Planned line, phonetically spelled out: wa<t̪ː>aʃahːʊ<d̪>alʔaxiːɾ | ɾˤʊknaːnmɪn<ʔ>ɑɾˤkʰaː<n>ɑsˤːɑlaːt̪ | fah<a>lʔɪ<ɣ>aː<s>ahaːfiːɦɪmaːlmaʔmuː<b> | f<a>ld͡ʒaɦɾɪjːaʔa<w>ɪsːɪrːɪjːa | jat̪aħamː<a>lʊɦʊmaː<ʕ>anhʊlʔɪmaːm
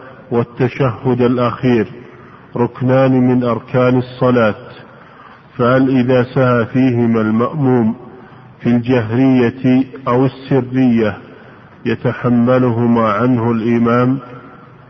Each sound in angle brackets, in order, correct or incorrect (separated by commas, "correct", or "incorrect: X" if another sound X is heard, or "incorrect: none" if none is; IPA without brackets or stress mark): correct, correct, correct, correct, correct, incorrect: ð, correct, incorrect: m, incorrect: i, correct, correct, correct